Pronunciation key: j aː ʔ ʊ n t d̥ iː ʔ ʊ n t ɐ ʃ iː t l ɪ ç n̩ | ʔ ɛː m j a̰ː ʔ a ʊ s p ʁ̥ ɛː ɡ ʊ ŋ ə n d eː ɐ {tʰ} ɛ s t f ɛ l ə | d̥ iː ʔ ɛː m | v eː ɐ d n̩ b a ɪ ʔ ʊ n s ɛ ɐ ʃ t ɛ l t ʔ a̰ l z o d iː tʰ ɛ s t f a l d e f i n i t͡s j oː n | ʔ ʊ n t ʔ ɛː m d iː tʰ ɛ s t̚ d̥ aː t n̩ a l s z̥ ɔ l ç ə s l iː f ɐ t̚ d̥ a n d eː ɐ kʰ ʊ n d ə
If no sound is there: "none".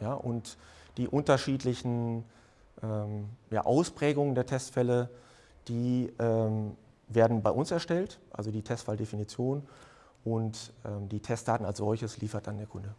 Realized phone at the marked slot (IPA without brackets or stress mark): tʰ